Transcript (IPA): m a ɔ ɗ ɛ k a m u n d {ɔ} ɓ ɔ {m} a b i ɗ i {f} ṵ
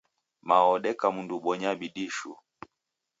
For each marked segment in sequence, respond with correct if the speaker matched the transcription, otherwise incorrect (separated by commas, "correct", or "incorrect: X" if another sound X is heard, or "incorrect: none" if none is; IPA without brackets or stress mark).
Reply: incorrect: u, incorrect: ɲ, incorrect: ʃ